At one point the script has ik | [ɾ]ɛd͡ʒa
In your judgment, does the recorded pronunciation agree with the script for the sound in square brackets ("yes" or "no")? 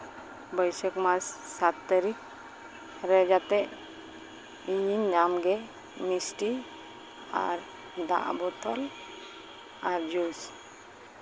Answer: yes